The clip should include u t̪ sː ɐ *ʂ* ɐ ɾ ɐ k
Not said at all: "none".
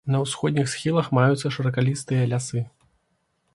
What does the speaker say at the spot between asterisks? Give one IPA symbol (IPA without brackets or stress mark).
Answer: ʂ